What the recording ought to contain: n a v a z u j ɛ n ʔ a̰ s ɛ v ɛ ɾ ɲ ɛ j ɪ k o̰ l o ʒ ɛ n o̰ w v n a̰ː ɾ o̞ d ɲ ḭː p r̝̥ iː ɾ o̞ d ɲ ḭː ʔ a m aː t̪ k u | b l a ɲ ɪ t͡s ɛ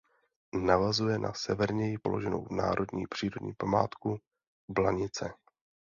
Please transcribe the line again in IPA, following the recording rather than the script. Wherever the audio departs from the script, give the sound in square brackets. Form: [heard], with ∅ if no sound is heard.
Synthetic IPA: n a v a z u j ɛ n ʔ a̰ s ɛ v ɛ ɾ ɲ ɛ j ɪ [p] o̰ l o ʒ ɛ n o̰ w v n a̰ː ɾ o̞ d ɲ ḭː p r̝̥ iː ɾ o̞ d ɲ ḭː [p] a m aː t̪ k u | b l a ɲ ɪ t͡s ɛ